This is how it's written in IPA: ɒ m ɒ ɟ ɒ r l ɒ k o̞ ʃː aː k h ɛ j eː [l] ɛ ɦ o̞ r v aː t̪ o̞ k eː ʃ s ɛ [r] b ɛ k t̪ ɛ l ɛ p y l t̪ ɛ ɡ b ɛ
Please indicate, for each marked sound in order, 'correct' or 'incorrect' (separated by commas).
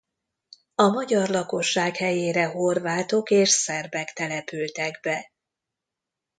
incorrect, correct